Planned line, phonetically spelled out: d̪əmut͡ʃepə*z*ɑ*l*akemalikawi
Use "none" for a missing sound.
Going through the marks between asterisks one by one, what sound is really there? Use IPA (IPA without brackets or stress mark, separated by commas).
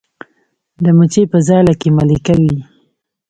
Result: z, l